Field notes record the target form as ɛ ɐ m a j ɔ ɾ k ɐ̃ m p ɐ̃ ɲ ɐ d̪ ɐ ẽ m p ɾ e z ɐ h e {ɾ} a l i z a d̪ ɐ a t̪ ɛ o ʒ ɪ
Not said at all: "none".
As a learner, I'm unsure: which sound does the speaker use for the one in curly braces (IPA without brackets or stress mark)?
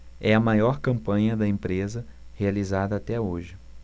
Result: none